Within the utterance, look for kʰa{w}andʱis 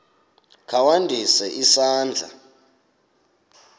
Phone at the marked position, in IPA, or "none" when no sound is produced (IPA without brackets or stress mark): w